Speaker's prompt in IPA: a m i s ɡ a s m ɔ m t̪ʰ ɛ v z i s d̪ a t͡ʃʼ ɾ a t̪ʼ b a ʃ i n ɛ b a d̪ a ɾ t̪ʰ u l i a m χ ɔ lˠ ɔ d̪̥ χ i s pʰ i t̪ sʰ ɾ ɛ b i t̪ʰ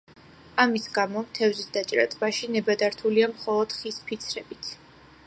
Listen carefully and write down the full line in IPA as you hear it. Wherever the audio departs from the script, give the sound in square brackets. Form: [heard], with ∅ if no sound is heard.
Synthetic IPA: a m i s ɡ a [∅] m ɔ m t̪ʰ ɛ v z i s d̪ a t͡ʃʼ ɾ a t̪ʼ b a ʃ i n ɛ b a d̪ a ɾ t̪ʰ u l i a m χ ɔ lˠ ɔ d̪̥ χ i s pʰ i t̪ sʰ ɾ ɛ b i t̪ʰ